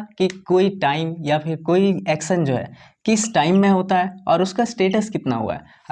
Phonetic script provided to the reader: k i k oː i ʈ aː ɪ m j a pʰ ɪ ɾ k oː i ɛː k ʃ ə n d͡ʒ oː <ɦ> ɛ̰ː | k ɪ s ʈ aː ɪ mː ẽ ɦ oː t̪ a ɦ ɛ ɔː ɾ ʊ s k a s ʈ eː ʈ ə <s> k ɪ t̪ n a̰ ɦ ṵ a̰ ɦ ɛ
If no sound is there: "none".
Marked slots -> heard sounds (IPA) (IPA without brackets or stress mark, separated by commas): ɦ, s